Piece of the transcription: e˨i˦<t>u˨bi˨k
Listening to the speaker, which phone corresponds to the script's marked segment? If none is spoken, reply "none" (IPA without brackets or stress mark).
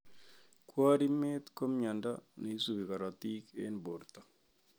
s